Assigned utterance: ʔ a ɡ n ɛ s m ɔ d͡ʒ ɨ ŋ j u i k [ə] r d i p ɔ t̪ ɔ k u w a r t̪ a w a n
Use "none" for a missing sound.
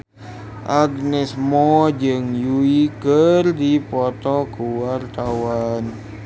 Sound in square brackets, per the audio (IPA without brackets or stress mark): ə